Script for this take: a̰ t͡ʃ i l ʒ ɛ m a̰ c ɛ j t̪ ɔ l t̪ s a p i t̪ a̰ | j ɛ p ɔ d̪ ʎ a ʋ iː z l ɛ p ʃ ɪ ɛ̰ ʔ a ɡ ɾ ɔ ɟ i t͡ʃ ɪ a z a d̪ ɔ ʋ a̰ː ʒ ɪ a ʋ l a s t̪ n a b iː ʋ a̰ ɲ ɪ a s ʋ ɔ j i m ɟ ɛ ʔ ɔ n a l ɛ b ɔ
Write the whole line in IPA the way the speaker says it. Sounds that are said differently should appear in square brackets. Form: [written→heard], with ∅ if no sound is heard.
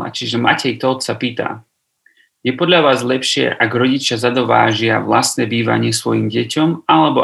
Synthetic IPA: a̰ t͡ʃ i [l→∅] ʒ ɛ m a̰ c ɛ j t̪ ɔ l t̪ s a p [i→iː] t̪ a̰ | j ɛ p ɔ d̪ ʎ a ʋ [iː→aː] z l ɛ p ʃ ɪ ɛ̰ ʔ a ɡ ɾ ɔ ɟ i t͡ʃ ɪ a z a d̪ ɔ ʋ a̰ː ʒ ɪ a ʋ l a s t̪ n [a→ɛ] b iː ʋ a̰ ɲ ɪ [a→ɛ] s ʋ ɔ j i m ɟ ɛ [ʔ→c] ɔ [n→m] a l ɛ b ɔ